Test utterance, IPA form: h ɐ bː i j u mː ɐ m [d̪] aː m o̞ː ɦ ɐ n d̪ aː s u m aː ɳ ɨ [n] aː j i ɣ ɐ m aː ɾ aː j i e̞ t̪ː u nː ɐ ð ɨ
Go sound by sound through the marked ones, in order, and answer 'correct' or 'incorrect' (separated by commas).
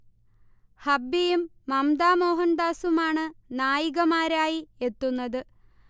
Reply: correct, correct